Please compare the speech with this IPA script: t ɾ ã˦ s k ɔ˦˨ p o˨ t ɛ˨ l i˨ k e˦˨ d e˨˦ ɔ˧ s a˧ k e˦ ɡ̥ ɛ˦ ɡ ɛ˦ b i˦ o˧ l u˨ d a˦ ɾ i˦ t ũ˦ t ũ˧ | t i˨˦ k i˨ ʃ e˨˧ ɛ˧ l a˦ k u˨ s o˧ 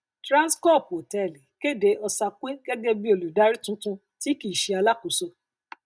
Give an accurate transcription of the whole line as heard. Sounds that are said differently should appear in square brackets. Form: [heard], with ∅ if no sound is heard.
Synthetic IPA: t ɾ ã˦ s k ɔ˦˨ p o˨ t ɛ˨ l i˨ k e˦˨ d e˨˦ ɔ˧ s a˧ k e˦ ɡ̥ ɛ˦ ɡ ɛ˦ b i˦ o˧ l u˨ d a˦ ɾ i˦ t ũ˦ t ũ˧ | t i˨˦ k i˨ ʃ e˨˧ [a˧] l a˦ k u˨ s o˧